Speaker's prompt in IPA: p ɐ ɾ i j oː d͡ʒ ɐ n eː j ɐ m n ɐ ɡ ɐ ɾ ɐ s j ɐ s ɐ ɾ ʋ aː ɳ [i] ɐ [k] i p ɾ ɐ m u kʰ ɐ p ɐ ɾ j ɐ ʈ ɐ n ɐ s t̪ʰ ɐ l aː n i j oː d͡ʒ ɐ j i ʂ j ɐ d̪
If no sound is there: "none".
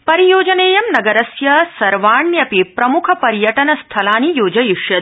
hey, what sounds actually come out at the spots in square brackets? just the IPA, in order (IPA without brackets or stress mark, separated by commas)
j, p